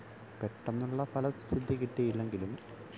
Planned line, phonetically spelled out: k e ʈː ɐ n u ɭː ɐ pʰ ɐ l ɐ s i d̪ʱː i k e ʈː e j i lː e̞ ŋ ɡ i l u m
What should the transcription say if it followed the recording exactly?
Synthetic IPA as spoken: p e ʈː ɐ nː u ɭː ɐ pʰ ɐ l ɐ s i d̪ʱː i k i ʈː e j i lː e̞ ŋ ɡ i l u m